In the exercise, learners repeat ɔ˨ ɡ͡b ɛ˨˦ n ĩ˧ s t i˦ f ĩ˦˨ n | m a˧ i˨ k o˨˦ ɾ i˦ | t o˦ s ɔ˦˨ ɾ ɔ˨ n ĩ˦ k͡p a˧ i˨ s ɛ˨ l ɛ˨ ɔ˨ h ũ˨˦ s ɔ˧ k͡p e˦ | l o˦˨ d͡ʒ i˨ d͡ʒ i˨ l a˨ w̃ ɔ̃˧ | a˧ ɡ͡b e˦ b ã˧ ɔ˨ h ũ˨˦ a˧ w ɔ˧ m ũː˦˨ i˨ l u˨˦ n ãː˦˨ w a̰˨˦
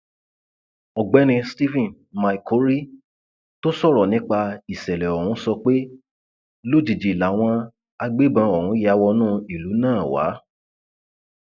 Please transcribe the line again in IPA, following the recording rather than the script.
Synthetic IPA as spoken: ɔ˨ ɡ͡b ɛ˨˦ n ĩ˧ s t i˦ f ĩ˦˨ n | m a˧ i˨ k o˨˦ ɾ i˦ | t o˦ s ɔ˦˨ ɾ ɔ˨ n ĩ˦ k͡p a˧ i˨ s ɛ˨ l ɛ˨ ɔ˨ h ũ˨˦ s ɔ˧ k͡p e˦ | l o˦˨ d͡ʒ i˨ d͡ʒ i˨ l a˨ w̃ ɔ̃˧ | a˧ ɡ͡b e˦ b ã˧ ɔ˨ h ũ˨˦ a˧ w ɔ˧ n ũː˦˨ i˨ l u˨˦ n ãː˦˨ w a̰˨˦